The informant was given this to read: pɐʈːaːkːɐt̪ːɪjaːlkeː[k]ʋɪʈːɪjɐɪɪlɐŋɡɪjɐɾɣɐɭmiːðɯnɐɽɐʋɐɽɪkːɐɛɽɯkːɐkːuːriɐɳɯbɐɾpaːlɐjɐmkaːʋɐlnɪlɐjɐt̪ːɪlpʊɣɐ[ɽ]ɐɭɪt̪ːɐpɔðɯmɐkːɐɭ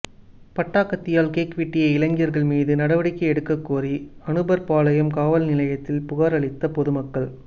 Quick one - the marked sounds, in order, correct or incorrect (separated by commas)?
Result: correct, incorrect